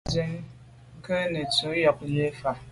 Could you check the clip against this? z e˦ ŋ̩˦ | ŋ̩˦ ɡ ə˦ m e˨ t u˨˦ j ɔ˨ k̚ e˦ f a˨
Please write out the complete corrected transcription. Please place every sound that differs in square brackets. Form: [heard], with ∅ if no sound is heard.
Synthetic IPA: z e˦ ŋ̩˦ | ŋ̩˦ [k] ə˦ [n] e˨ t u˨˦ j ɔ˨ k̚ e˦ f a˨

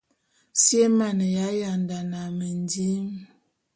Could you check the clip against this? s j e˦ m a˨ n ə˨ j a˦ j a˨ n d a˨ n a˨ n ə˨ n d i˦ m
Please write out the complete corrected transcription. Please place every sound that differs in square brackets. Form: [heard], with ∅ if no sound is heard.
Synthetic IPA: s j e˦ m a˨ n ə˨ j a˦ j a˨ n d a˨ n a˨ [m] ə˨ n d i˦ m

